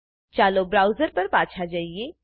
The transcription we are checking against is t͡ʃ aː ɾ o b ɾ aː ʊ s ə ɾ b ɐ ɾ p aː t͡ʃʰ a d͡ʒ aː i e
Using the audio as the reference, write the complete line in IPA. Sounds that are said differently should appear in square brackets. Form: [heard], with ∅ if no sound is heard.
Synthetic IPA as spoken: t͡ʃ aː [l] o b ɾ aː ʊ [z] ə ɾ [p] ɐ ɾ p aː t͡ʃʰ a d͡ʒ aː i e